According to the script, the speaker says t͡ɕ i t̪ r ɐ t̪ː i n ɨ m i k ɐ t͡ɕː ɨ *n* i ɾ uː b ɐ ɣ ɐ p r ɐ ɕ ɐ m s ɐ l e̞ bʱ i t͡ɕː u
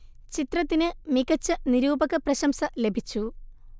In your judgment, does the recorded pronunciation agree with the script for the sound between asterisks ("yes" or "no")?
yes